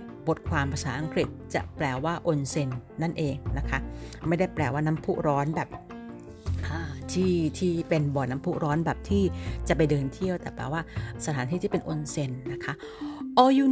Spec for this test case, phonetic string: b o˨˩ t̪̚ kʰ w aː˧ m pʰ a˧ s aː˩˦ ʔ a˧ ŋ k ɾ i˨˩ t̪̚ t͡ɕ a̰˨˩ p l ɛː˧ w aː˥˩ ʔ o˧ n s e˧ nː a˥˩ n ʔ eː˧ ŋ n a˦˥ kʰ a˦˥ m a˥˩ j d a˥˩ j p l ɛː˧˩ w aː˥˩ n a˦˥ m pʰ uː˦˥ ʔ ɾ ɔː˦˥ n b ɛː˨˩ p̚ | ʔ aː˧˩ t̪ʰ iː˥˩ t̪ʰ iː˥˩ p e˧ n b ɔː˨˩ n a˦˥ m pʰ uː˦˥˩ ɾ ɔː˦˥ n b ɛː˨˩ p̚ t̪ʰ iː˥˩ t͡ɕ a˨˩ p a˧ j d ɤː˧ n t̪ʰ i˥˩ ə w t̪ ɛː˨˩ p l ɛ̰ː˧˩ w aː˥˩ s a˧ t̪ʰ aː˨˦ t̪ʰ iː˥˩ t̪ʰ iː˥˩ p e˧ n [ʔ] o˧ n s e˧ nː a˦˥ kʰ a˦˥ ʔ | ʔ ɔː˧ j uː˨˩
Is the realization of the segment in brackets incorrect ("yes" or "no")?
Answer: no